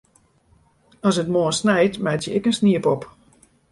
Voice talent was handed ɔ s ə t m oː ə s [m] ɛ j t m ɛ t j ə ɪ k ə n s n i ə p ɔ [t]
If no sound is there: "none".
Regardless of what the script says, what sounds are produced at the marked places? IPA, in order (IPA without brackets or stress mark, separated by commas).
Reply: n, p